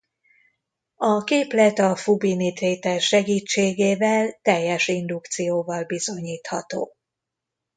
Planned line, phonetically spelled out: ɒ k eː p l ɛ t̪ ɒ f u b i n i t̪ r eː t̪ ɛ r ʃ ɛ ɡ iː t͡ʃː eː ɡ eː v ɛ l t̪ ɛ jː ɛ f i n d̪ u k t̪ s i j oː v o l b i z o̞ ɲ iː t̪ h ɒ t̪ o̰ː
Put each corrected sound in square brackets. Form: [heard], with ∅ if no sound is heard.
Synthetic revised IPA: ɒ k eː p l ɛ t̪ ɒ f u b i n i t̪ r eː t̪ ɛ r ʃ ɛ ɡ iː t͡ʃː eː ɡ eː v ɛ l t̪ ɛ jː ɛ [ʃ] i n d̪ u k t̪ s i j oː v [ɒ] l b i z o̞ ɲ iː t̪ h ɒ t̪ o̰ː

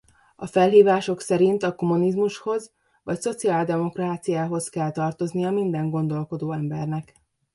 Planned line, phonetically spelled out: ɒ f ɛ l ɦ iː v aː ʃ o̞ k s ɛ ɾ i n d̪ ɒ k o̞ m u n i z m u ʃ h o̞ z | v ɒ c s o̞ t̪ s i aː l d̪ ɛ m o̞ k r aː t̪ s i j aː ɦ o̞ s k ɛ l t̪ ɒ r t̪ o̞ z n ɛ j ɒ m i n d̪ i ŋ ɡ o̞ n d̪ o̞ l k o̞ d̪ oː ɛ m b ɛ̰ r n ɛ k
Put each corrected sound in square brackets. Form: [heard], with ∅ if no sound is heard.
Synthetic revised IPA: ɒ f ɛ l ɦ iː v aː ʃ o̞ k s ɛ ɾ i n [t̪] ɒ k o̞ m u n i z m u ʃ h o̞ z | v ɒ c s o̞ t̪ s i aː l d̪ ɛ m o̞ k r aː t̪ s i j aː ɦ o̞ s k ɛ l t̪ ɒ r t̪ o̞ z n [i] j ɒ m i n d̪ [ɛ] ŋ ɡ o̞ n d̪ o̞ l k o̞ d̪ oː ɛ m b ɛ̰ r n ɛ k

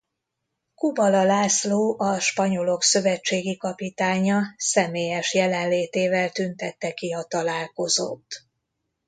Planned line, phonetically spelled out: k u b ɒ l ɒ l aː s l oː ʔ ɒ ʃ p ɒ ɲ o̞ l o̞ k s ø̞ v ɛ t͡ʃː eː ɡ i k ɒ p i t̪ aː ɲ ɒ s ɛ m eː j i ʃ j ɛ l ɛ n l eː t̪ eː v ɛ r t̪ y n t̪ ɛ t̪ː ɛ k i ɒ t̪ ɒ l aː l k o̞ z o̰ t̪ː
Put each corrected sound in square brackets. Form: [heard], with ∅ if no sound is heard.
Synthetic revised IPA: k u b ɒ l ɒ l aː s l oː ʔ ɒ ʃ p ɒ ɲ o̞ l o̞ k s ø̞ v ɛ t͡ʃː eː ɡ i k ɒ p i t̪ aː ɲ ɒ s ɛ m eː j [ɛ] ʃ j ɛ l ɛ n l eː t̪ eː v ɛ [l] t̪ y n t̪ ɛ t̪ː ɛ k i ɒ t̪ ɒ l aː l k o̞ z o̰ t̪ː

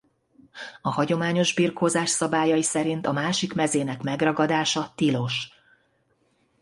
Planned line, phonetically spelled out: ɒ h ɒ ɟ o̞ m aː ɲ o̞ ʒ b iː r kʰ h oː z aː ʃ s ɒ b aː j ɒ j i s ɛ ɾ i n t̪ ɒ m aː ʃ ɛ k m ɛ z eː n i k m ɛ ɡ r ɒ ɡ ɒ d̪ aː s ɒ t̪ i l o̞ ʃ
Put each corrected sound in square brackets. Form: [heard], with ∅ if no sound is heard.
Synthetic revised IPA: ɒ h ɒ ɟ o̞ m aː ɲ o̞ ʒ b iː r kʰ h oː z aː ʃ s ɒ b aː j ɒ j i s ɛ ɾ i n t̪ ɒ m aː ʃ [i] k m ɛ z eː n [ɛ] k m ɛ ɡ r ɒ ɡ ɒ d̪ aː [ʃ] ɒ t̪ i l o̞ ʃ

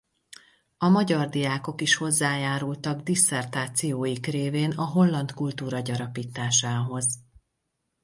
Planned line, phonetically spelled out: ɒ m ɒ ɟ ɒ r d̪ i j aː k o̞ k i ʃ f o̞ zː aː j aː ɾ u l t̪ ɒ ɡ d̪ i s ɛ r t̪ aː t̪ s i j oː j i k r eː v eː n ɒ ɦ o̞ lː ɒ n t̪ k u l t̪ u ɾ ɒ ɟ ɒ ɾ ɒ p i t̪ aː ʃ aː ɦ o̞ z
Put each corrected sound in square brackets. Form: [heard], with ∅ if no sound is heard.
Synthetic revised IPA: ɒ m ɒ ɟ ɒ r d̪ i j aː k o̞ k i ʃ [h] o̞ zː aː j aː ɾ u l t̪ ɒ ɡ d̪ i s ɛ r t̪ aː t̪ s i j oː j i k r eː v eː n ɒ ɦ o̞ lː ɒ n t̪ k u l t̪ [uː] ɾ ɒ ɟ ɒ ɾ ɒ p [iː] t̪ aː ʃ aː ɦ o̞ z

